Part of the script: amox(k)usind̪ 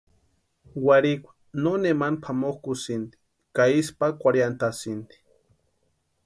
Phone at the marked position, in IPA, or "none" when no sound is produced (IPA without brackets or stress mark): k